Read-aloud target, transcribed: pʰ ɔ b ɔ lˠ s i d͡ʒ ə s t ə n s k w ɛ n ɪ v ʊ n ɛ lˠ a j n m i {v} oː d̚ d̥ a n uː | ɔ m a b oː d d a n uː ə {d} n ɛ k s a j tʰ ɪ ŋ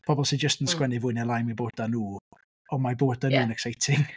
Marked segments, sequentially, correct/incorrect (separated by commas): incorrect, incorrect